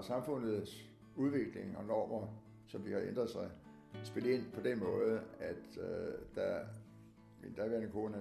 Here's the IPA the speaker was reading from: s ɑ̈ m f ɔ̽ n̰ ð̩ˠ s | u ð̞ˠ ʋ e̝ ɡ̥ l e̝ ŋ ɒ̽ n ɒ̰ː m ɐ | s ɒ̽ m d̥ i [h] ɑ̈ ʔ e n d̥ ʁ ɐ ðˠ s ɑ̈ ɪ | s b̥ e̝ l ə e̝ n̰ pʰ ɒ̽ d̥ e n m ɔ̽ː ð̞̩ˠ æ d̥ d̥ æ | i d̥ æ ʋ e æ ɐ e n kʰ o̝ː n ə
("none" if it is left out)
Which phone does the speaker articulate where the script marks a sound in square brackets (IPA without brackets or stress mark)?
h